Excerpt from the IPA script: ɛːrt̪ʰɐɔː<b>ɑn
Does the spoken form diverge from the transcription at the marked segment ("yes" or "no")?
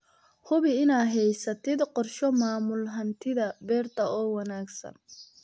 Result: yes